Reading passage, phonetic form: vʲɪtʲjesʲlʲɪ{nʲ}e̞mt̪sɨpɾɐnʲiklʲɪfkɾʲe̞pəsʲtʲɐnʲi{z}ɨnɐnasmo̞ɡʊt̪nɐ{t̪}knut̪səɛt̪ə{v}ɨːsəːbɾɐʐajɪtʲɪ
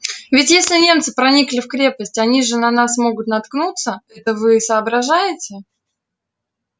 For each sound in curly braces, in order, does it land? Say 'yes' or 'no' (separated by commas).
yes, no, yes, yes